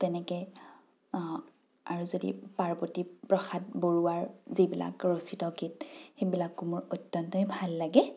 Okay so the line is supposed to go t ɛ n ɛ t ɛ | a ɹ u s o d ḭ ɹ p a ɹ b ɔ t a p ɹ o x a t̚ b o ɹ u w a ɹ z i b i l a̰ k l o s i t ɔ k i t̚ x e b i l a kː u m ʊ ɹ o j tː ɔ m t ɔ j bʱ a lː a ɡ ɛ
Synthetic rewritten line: t ɛ n ɛ k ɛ | a ɹ u z o d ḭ p a ɹ b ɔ t i p ɹ ɔ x a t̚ b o ɹ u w a ɹ z i b i l a̰ k ɹ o s i t ɔ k i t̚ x e b i l a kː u m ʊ ɹ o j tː ɔ n t ɔ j bʱ a lː a ɡ ɛ